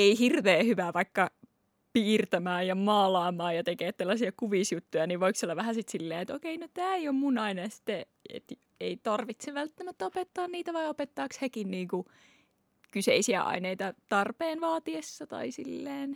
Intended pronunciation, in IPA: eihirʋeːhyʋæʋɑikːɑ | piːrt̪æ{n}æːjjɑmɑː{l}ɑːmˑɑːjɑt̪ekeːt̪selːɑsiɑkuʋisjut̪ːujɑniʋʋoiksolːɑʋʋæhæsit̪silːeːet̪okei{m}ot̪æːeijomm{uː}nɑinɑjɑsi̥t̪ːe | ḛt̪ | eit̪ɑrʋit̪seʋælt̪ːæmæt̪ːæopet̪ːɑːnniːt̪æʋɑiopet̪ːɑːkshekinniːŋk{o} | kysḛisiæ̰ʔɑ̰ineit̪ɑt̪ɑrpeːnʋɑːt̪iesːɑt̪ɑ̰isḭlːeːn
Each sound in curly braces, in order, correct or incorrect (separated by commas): incorrect, correct, incorrect, incorrect, incorrect